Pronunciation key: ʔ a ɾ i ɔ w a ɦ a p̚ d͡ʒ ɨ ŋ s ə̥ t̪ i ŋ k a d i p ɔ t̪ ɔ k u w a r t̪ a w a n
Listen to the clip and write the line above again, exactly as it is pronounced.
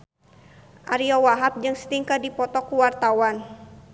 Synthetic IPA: ʔ a ɾ i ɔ w a ɦ a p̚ d͡ʒ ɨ ŋ s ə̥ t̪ i ŋ k a d i p ɔ t̪ ɔ k u w a r t̪ a w a n